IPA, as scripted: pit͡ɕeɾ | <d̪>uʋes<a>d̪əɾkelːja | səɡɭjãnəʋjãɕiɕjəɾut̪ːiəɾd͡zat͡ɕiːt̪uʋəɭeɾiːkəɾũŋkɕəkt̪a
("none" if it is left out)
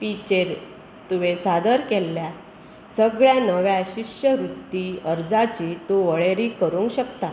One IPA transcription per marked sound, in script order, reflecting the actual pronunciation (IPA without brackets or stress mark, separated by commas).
t̪, a